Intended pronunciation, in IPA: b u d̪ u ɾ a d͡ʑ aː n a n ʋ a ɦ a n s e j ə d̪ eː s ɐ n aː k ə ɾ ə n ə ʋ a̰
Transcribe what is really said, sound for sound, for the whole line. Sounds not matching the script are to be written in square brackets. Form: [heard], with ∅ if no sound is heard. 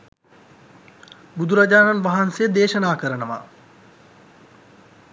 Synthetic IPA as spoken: b u d̪ u ɾ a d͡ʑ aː n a n ʋ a ɦ a n s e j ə d̪ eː [ʃ] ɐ n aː k ə ɾ ə n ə ʋ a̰